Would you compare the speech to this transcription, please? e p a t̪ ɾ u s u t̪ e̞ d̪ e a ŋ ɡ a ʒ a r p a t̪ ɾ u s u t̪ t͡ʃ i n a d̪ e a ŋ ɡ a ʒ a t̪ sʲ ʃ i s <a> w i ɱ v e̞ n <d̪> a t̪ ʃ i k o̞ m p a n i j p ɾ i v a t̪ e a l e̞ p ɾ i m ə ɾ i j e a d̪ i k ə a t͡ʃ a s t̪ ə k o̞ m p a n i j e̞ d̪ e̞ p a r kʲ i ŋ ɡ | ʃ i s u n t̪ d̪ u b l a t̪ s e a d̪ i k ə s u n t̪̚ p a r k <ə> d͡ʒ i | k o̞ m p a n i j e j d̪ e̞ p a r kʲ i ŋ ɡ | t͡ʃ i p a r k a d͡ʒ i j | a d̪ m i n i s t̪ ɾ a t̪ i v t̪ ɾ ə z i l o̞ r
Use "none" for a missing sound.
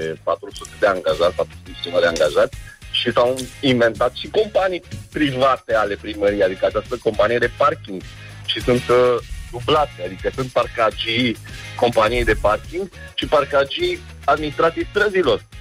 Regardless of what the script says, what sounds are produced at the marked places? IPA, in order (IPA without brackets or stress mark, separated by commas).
a, t̪, a